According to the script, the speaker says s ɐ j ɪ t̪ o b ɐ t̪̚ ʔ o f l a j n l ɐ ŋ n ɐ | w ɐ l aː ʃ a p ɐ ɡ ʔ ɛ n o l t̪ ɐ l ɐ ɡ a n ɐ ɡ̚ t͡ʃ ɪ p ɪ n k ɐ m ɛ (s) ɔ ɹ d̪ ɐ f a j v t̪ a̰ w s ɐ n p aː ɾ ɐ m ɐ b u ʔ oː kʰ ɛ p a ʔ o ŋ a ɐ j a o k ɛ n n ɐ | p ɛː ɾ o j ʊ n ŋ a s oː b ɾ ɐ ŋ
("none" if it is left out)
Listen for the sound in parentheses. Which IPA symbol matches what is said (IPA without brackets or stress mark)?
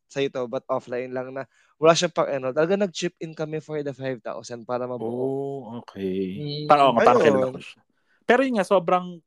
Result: f